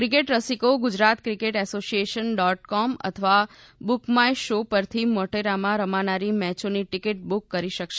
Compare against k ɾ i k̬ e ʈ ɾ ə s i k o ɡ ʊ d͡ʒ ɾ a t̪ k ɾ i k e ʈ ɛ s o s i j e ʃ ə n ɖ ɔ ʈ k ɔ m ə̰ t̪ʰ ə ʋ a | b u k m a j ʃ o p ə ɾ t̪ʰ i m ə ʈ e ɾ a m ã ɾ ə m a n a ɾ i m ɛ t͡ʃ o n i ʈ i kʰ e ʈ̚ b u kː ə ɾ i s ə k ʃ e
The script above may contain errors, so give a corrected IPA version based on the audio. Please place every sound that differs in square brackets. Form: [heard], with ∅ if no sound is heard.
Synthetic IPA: k ɾ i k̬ e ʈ ɾ ə s i k o ɡ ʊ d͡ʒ ɾ a t̪ k ɾ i k e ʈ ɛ s o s i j e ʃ ə n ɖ ɔ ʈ k ɔ m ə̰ t̪ʰ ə ʋ a | b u k m a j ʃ o p ə ɾ t̪ʰ i m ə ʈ e ɾ a m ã ɾ ə m a n a ɾ i m ɛ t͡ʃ o n i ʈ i [k] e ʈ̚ b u kː ə ɾ i [ʃ] ə k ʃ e